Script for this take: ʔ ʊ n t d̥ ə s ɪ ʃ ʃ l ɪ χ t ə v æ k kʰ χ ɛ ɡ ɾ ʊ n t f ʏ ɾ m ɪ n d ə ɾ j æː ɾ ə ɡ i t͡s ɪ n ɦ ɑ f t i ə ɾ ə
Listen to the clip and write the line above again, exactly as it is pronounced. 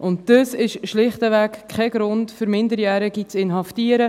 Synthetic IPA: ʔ ʊ n t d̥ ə s ɪ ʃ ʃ l ɪ χ t ə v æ k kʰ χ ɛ ɡ ɾ ʊ n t f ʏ ɾ m ɪ n d ə ɾ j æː ɾ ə ɡ i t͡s ɪ n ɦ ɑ f t i ə ɾ ə